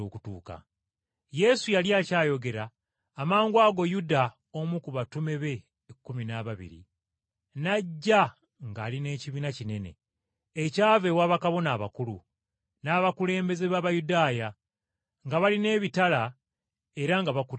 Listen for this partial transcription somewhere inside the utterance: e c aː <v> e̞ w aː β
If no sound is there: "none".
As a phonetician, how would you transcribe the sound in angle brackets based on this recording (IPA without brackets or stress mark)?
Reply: v